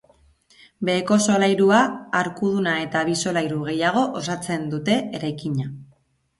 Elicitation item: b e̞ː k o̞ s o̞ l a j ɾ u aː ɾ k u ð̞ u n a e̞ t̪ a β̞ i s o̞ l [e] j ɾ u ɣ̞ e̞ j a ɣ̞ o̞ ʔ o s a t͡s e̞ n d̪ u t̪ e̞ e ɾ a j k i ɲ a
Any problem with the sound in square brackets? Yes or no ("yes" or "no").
yes